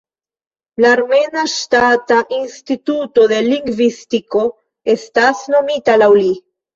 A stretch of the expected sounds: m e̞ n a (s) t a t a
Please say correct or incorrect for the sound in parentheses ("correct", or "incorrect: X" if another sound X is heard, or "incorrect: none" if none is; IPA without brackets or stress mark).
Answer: incorrect: ʃ